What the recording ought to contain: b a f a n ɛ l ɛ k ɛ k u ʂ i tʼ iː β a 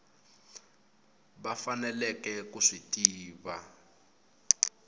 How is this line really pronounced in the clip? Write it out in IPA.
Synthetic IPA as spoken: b a f a n ɛ l ɛ k ɛ k u ʂ i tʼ iː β a

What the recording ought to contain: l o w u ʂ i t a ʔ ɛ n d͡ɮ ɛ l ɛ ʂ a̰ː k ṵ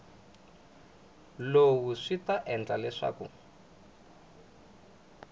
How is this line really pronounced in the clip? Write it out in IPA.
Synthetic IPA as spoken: l o w u ʂ i t a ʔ ɛ n d͡ɮ a l ɛ ʂ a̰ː k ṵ

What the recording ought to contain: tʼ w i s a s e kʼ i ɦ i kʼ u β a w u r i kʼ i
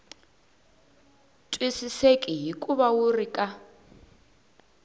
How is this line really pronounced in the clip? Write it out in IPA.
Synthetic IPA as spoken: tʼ w i s i s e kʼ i ɦ i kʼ u β a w u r i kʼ a

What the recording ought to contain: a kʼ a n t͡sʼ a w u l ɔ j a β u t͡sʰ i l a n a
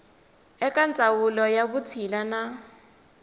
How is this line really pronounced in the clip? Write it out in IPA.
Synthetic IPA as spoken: ɛ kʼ a n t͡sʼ a w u l ɔ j a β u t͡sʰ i l a n a

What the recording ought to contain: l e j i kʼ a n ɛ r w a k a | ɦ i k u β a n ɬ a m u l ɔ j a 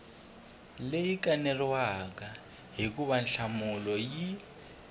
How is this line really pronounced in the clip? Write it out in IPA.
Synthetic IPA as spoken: l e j i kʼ a n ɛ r w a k a | ɦ i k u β a n ɬ a m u l ɔ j i

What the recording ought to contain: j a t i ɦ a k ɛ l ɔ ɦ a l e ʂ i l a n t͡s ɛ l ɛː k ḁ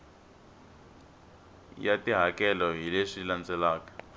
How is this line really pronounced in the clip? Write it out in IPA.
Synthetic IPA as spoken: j a t i ɦ a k ɛ l ɔ ɦ i l e ʂ i l a n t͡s ɛ l aː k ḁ

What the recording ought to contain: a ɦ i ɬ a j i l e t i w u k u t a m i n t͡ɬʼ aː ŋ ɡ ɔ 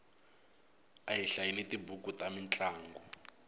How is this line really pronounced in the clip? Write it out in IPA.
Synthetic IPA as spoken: a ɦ i ɬ a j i l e t i b u k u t a m i n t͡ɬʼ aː ŋ ɡ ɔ

